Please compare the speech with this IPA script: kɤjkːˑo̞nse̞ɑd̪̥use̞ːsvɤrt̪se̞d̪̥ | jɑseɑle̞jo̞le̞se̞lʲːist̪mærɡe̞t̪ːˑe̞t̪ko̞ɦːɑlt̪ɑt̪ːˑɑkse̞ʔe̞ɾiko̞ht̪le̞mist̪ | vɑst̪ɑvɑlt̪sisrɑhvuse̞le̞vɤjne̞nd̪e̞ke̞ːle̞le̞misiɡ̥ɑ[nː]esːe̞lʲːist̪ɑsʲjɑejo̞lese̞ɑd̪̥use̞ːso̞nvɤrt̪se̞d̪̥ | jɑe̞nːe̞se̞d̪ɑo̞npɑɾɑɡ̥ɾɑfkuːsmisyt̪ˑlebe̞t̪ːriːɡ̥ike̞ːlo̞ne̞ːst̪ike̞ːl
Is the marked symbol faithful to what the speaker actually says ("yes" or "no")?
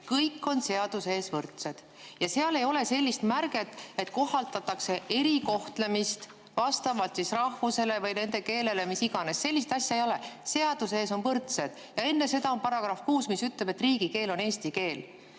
no